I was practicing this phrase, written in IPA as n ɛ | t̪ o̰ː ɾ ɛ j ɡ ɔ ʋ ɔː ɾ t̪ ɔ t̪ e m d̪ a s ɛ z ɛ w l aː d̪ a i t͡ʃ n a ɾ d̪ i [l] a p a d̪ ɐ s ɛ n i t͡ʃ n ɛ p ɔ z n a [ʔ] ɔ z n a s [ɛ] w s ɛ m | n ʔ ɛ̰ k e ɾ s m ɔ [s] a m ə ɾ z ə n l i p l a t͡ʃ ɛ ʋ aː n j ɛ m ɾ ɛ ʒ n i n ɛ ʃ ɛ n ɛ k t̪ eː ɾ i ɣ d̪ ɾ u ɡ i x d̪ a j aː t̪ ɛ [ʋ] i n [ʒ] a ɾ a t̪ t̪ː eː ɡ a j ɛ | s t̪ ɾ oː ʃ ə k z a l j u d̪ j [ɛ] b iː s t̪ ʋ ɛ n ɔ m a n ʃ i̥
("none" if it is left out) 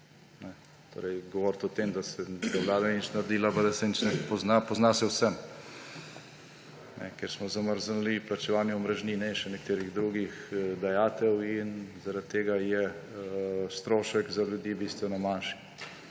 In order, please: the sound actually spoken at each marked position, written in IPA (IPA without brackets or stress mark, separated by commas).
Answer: l, p, ɛ, z, w, z, i